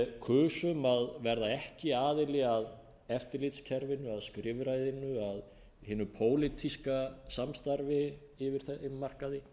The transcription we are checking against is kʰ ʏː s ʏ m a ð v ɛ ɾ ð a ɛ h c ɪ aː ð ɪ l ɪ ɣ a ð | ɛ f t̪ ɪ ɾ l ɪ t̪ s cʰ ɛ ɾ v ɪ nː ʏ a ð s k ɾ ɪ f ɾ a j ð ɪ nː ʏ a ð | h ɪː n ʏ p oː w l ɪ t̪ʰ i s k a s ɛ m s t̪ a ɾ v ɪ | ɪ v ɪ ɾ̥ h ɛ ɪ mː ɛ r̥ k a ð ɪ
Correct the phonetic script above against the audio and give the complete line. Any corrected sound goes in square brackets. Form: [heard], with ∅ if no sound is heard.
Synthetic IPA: kʰ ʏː s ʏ m a ð v ɛ ɾ ð a ɛ h c ɪ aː ð ɪ l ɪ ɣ a ð | ɛ f t̪ ɪ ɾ l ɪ t̪ s cʰ ɛ ɾ v ɪ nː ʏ a ð s k ɾ ɪ [v] ɾ a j ð ɪ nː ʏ a ð | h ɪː n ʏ [pʰ] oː w l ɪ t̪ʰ i s k a s [a] m s t̪ a ɾ v ɪ | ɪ v ɪ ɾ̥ [θ] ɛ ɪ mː [a] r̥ k a ð ɪ